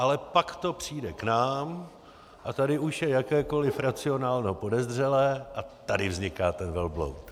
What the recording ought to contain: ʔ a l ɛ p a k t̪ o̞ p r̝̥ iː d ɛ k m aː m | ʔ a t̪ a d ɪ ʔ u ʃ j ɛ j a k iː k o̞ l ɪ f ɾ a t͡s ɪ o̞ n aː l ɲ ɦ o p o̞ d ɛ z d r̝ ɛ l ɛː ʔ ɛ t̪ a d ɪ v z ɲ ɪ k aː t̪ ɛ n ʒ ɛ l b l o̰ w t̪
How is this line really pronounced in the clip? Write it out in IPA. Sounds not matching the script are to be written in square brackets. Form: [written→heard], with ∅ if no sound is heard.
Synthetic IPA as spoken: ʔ a l ɛ p a k t̪ o̞ p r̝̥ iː d ɛ k [m→n] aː m | ʔ a t̪ a d ɪ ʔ u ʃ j ɛ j a k [iː→ɛː] k o̞ l ɪ f ɾ a t͡s ɪ o̞ n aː l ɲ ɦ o p o̞ d ɛ z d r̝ ɛ l ɛː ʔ [ɛ→a] t̪ a d ɪ v z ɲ ɪ k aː t̪ ɛ n [ʒ→v] ɛ l b l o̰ w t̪